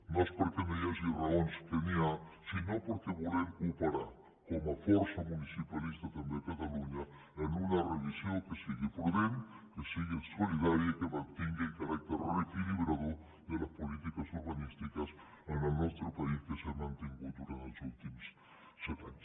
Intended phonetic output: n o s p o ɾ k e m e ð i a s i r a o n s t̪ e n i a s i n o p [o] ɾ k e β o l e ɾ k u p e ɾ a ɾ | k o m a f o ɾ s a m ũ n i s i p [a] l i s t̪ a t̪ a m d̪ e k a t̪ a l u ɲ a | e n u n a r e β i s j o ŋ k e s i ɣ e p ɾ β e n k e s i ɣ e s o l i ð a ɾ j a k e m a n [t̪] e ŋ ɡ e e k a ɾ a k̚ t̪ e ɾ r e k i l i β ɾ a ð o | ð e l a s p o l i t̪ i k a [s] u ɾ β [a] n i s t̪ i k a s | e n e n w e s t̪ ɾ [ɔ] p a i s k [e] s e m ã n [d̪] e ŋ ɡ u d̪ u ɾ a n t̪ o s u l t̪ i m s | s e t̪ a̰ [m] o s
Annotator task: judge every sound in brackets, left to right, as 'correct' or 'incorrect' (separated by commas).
correct, correct, correct, correct, correct, incorrect, correct, incorrect, incorrect